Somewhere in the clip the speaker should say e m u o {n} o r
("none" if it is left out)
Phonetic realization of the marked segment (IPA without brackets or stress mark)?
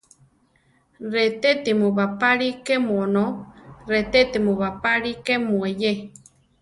n